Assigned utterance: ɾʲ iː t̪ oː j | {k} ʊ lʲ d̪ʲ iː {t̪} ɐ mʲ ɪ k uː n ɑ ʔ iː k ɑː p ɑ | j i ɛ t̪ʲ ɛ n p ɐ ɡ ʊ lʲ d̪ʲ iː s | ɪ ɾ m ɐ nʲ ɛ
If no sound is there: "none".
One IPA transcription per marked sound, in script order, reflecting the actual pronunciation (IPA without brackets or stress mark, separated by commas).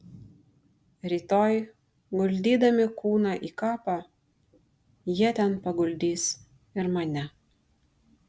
ɡ, d̪